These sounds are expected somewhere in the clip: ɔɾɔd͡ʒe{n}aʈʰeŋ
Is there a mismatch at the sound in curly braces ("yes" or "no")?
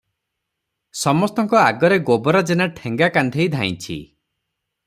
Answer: no